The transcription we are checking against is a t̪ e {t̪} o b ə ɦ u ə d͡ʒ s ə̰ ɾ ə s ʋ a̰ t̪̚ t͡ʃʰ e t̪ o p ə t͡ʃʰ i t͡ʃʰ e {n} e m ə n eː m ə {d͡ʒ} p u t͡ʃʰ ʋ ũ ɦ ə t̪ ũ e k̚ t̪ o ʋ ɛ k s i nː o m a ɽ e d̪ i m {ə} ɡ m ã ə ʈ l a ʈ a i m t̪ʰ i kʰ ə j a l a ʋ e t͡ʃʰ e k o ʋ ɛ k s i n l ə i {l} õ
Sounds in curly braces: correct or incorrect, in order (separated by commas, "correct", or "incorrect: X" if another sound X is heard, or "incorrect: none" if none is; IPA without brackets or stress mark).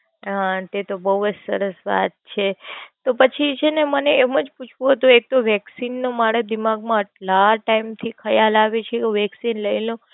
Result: correct, correct, correct, incorrect: a, correct